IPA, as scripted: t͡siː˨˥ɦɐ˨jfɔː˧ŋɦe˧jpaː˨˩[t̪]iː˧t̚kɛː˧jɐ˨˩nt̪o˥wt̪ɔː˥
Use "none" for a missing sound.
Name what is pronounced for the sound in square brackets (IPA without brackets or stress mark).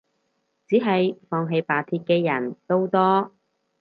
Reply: t̪ʰ